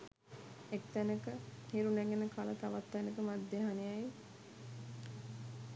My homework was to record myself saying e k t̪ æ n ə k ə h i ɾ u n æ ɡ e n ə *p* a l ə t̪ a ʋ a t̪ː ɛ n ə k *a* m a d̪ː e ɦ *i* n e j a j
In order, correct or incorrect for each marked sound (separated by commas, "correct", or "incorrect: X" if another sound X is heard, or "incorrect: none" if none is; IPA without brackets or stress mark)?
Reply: incorrect: k, incorrect: ə, incorrect: a